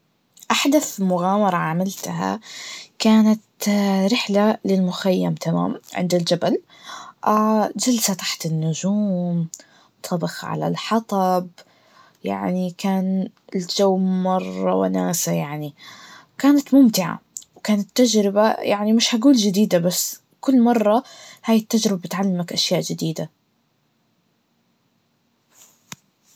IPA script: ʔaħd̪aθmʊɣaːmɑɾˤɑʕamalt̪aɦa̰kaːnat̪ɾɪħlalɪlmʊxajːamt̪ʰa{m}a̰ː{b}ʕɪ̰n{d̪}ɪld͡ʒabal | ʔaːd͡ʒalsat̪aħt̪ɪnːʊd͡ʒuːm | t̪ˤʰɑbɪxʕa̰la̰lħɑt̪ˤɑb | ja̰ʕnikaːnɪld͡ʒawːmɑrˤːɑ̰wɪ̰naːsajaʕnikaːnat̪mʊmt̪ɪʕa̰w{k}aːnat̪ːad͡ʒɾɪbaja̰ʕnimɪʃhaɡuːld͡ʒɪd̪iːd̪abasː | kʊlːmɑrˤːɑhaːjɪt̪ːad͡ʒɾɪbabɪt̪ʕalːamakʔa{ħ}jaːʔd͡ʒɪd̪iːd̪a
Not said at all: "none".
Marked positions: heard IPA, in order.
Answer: m, m, d̪, k, ʃ

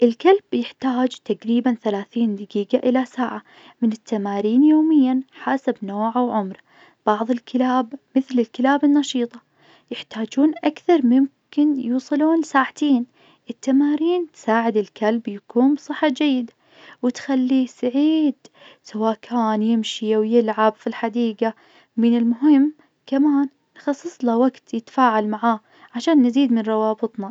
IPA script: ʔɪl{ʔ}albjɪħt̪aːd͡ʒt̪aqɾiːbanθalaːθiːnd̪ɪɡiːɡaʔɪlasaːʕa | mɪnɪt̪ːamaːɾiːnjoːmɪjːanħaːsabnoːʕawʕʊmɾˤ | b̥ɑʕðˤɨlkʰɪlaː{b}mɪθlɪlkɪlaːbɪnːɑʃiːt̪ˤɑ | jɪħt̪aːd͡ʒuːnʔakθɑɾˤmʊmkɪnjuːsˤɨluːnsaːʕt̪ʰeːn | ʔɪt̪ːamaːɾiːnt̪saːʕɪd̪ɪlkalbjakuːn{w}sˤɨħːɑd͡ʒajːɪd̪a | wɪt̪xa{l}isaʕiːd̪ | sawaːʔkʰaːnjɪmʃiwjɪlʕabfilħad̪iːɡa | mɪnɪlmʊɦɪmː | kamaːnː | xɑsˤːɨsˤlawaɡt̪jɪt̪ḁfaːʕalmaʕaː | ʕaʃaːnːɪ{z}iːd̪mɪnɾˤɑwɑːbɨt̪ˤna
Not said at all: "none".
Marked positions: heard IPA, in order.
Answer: k, b, b, lː, z

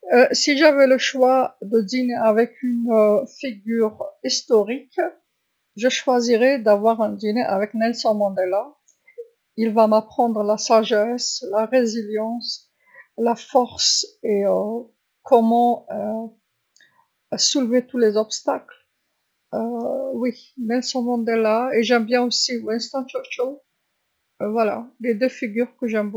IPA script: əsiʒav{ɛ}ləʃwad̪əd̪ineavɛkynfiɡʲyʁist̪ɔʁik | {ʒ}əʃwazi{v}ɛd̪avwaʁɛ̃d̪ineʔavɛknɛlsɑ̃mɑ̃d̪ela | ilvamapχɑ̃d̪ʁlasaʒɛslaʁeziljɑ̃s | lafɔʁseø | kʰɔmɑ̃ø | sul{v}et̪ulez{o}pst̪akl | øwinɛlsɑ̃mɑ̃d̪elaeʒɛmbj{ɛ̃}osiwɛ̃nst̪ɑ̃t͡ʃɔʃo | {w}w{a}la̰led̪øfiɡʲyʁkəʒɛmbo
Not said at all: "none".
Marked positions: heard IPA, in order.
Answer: ɛ, ʒ, ʁ, v, ɔ, ɛ̃, v, a

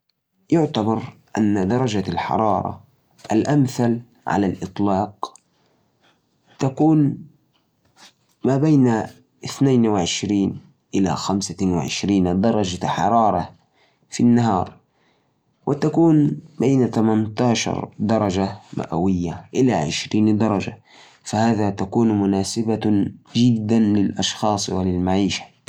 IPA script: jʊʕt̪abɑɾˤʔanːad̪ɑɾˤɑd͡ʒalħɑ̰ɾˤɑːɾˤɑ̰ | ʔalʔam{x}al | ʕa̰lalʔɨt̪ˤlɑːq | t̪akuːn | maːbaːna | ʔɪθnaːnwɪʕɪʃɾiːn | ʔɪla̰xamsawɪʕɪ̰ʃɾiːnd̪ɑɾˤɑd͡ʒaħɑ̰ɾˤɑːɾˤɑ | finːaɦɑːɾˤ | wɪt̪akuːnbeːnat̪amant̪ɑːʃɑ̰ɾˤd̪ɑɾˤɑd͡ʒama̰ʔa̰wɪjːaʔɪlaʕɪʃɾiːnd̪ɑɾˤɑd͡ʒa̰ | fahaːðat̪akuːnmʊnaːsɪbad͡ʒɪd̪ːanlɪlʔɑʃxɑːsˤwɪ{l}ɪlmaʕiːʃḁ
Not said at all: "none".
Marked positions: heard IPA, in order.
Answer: θ, l

